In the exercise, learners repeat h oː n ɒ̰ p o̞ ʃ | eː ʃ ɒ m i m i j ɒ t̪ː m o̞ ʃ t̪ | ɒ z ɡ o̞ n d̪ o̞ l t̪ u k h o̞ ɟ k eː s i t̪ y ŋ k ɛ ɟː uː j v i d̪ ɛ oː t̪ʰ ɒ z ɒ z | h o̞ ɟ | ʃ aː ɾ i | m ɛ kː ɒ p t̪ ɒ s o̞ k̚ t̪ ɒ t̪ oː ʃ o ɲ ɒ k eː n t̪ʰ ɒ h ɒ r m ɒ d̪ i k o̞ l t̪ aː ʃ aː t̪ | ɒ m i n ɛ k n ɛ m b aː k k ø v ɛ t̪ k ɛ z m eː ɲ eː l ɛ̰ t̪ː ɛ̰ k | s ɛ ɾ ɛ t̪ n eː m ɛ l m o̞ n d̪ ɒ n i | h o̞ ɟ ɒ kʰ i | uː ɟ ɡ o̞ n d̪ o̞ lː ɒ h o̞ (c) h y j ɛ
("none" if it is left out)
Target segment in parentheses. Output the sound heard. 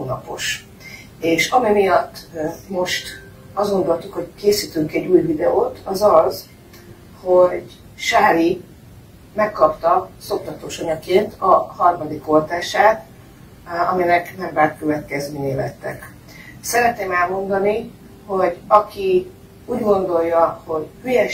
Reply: ɟ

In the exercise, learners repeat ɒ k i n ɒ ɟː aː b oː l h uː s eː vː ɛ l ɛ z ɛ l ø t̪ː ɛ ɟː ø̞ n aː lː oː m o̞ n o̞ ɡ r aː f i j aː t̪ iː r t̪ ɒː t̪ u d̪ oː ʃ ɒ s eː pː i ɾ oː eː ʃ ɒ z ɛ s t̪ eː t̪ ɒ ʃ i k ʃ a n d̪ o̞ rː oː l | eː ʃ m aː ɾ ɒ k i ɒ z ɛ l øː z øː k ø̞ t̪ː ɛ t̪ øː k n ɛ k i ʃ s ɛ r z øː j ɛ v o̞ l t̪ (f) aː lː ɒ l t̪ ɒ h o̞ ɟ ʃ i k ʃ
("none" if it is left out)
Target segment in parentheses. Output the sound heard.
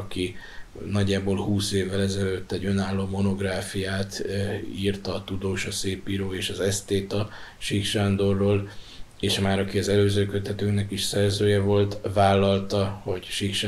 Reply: v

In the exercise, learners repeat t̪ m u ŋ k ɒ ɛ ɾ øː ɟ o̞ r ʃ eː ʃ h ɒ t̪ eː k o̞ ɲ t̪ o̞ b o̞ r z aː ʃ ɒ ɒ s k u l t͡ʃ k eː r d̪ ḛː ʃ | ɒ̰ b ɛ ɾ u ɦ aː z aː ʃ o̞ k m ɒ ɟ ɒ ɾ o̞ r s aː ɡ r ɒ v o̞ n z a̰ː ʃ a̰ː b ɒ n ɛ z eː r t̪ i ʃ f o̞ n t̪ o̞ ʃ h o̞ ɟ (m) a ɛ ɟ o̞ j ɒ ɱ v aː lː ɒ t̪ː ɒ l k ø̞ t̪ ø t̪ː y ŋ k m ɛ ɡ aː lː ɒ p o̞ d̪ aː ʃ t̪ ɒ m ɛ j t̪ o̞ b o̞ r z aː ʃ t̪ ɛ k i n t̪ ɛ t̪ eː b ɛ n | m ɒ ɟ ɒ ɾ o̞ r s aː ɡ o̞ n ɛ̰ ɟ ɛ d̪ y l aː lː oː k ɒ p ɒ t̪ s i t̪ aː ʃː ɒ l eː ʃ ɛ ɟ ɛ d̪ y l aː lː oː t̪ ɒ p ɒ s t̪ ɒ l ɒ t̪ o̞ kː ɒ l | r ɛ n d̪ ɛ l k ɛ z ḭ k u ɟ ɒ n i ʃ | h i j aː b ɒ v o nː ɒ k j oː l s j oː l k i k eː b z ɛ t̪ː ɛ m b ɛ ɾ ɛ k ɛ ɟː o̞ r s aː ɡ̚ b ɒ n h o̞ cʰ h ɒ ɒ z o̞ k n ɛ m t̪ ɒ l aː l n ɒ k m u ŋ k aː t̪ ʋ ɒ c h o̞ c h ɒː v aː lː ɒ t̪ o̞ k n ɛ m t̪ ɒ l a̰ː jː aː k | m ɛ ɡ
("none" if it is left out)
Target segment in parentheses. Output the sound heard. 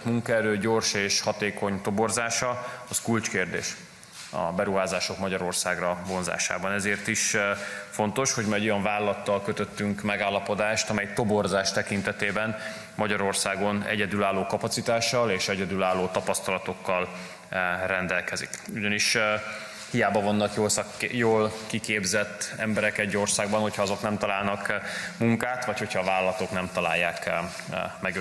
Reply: m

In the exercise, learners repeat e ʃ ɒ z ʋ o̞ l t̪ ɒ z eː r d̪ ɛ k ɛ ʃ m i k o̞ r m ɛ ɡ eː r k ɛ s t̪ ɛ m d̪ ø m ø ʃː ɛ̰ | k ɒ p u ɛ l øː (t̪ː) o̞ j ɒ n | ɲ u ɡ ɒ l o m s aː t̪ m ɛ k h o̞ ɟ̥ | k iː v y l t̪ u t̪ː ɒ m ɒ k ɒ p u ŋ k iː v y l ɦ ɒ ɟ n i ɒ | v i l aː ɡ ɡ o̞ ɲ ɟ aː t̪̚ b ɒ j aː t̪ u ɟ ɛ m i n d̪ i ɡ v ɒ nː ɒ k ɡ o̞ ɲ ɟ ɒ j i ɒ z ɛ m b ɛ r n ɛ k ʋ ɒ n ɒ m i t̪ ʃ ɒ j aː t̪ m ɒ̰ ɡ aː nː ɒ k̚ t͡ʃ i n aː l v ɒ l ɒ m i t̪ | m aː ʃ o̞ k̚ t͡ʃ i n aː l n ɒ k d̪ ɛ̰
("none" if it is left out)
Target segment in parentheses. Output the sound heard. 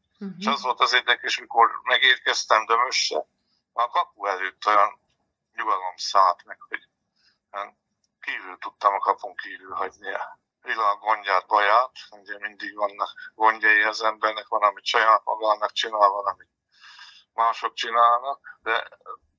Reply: t̪ː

